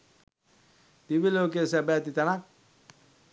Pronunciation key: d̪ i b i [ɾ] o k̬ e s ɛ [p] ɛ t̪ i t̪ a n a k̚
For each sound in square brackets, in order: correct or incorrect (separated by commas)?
incorrect, incorrect